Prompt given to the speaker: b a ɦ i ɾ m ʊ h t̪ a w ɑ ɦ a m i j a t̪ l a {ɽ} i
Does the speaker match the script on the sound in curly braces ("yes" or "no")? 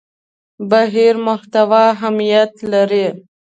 no